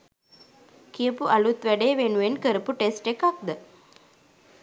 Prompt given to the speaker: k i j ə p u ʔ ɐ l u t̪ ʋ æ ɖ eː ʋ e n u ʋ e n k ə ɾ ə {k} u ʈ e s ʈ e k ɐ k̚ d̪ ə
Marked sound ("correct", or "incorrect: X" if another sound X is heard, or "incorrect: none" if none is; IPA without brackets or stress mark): incorrect: p